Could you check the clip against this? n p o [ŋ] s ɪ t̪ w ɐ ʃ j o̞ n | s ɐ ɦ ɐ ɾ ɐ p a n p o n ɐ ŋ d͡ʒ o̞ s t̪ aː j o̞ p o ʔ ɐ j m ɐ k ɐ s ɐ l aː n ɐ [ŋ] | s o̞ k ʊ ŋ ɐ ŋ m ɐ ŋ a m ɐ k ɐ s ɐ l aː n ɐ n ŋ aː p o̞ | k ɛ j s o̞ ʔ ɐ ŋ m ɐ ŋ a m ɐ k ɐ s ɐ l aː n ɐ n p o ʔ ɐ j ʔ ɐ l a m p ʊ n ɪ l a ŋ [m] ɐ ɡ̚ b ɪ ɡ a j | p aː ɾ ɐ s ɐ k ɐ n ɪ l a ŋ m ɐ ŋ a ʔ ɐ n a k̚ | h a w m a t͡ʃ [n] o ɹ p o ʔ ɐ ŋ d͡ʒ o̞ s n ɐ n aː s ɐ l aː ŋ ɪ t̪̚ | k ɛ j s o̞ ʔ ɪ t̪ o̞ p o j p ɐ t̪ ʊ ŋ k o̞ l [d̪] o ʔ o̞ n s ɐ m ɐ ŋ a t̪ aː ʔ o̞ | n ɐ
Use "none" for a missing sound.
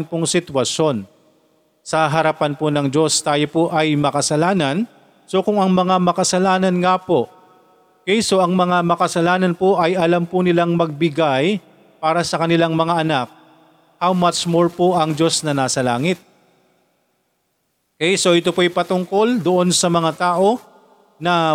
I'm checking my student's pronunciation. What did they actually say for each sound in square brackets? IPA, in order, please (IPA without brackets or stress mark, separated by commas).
ŋ, n, m, m, d̪